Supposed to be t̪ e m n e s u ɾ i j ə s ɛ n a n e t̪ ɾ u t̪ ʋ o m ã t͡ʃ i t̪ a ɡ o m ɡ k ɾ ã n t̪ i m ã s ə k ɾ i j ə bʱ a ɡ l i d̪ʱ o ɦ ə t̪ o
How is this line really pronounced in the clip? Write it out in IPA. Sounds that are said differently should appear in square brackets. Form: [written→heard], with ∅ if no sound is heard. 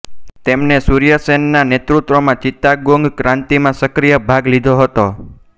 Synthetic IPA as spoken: t̪ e m n e s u ɾ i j ə s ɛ [n→nː] a n e t̪ ɾ u t̪ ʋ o m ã t͡ʃ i t̪ a ɡ o [m→ŋ] ɡ k ɾ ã n t̪ i m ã s ə k ɾ i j ə bʱ a ɡ l i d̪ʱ o ɦ ə t̪ o